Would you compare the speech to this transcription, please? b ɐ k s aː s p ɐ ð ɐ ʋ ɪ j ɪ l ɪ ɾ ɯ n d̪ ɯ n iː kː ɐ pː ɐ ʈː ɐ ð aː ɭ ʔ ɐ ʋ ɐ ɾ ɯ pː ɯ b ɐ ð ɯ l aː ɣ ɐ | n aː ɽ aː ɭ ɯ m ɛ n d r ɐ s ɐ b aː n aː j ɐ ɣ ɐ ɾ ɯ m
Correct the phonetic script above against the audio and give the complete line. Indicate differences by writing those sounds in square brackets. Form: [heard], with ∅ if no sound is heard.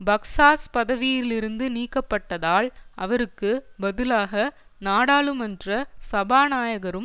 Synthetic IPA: b ɐ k s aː s p ɐ ð ɐ ʋ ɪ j ɪ l ɪ ɾ ɯ n d̪ ɯ n iː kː ɐ pː ɐ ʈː ɐ ð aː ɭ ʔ ɐ ʋ ɐ ɾ ɯ [kː] ɯ b ɐ ð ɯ l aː ɣ ɐ | n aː ɽ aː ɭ ɯ m ɛ n d r ɐ s ɐ b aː n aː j ɐ ɣ ɐ ɾ ɯ m